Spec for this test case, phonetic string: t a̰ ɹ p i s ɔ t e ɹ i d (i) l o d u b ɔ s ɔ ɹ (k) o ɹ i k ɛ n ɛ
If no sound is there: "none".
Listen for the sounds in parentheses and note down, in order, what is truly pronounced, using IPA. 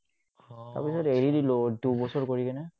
i, k

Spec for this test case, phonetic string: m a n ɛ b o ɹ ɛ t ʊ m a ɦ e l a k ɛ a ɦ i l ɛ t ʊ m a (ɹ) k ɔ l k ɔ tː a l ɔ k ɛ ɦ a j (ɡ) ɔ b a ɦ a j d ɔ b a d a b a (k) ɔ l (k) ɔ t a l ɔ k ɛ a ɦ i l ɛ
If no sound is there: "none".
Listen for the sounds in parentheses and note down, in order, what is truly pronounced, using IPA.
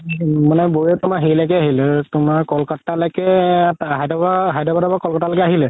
ɹ, d, k, k

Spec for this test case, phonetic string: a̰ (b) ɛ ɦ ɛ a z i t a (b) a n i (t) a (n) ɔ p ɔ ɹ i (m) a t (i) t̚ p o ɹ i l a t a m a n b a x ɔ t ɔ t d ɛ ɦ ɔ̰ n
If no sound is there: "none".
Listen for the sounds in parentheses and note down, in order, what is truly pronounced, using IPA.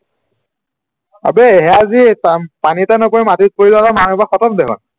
b, p, t, n, m, i

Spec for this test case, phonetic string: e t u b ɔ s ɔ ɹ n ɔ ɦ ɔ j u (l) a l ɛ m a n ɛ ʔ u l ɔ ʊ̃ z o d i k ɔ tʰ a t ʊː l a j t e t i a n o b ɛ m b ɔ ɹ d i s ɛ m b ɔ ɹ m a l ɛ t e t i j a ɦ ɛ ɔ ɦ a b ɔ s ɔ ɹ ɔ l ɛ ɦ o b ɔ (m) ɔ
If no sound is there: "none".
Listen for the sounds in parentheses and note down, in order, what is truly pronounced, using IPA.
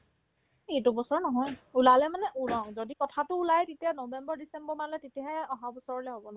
l, n

